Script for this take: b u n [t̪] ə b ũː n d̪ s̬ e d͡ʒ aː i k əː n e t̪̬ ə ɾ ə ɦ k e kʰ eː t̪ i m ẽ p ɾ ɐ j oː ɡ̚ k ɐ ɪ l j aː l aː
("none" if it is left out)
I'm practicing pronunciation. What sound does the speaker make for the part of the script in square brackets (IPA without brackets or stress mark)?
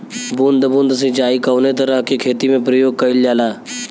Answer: d̪